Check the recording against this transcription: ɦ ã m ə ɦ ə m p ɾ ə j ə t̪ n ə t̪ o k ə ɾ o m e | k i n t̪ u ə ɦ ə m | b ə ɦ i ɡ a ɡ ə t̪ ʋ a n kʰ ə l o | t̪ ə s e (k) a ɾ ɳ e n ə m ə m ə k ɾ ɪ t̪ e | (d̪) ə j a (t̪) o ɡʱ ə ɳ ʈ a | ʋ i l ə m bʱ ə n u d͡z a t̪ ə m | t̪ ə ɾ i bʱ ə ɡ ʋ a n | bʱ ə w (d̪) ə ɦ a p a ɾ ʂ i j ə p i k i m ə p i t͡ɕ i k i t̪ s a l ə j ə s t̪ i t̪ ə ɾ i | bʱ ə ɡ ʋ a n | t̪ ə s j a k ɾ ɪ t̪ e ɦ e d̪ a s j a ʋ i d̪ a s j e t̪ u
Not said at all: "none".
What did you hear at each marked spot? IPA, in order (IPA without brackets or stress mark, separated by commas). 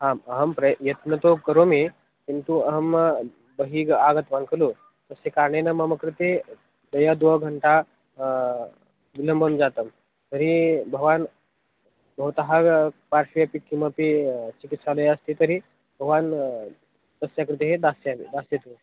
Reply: k, d̪, d̪, t̪